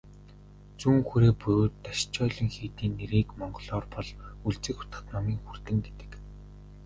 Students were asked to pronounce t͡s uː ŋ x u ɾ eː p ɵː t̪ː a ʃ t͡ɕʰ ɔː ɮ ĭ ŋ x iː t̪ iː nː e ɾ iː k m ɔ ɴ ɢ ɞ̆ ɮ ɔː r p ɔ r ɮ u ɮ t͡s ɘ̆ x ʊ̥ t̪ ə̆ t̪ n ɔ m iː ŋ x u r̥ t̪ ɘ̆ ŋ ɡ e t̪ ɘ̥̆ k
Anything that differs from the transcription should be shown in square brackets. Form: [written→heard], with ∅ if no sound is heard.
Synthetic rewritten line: t͡s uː ŋ x u ɾ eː p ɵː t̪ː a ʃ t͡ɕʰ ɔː ɮ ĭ ŋ x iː t̪ iː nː e ɾ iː k m ɔ ɴ ɢ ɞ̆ ɮ ɔː r p ɔ [r→∅] ɮ u ɮ t͡s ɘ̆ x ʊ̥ t̪ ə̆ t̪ n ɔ m iː ŋ x u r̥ t̪ ɘ̆ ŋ ɡ e t̪ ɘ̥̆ k